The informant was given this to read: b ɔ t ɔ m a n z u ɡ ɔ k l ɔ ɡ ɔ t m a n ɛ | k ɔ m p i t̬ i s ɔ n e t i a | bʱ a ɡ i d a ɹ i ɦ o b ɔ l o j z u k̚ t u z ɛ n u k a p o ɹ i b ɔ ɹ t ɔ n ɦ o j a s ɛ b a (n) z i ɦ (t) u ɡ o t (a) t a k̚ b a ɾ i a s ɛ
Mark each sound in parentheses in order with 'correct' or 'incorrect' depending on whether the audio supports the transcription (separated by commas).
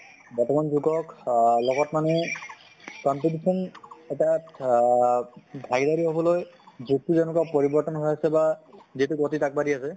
incorrect, correct, incorrect